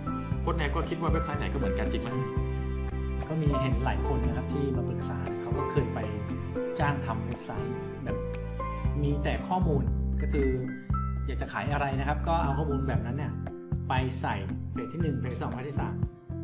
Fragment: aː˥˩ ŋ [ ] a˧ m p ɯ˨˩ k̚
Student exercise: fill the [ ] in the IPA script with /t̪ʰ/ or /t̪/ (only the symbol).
t̪ʰ